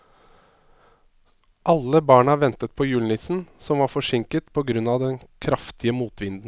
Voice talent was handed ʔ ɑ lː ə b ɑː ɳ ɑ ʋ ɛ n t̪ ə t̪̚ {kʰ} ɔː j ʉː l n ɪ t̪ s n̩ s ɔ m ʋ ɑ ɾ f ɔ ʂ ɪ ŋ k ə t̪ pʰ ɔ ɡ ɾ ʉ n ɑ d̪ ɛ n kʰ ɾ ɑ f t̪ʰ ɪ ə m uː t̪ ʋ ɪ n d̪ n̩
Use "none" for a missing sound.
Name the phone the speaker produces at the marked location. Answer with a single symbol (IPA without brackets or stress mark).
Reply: pʰ